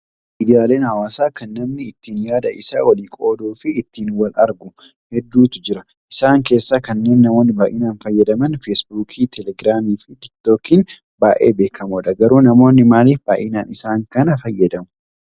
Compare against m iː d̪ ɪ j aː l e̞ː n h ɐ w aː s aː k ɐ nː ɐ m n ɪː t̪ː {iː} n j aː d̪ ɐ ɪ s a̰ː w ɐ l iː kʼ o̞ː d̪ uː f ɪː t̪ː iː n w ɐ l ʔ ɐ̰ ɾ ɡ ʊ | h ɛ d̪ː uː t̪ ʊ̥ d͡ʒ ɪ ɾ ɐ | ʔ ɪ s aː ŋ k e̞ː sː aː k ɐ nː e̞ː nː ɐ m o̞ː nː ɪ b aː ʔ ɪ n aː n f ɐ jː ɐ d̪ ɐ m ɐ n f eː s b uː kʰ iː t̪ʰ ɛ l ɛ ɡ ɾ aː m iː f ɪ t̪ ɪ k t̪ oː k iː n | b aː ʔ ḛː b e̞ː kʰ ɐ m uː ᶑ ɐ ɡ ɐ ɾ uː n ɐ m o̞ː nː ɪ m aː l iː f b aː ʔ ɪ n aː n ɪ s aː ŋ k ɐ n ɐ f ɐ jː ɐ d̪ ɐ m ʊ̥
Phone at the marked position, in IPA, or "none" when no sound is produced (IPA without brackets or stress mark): iː